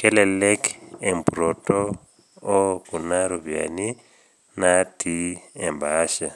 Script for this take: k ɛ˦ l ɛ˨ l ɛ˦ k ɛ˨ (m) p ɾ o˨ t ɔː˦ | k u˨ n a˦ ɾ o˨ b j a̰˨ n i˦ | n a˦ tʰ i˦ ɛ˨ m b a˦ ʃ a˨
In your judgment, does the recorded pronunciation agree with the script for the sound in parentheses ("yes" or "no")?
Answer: yes